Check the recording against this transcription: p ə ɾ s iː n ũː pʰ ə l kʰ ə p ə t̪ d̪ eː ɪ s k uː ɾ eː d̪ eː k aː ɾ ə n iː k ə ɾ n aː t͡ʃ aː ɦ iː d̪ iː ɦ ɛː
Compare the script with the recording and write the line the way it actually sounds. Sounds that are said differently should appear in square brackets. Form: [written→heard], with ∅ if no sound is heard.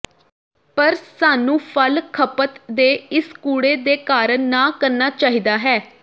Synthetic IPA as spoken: p ə ɾ s [iː→aː] n ũː pʰ ə l kʰ ə p ə t̪ d̪ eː ɪ s k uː [ɾ→ɽ] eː d̪ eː k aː ɾ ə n [iː→aː] k ə ɾ n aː t͡ʃ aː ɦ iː d̪ [iː→aː] ɦ ɛː